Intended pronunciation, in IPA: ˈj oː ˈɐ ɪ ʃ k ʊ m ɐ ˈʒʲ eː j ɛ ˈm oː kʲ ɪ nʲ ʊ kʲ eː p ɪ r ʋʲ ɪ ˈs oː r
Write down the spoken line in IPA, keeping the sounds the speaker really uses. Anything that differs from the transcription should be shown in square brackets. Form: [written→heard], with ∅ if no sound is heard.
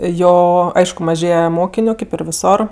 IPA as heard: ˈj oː ˈɐ ɪ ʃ k ʊ m ɐ ˈʒʲ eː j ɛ ˈm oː kʲ ɪ nʲ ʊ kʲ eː p ɪ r ʋʲ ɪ ˈs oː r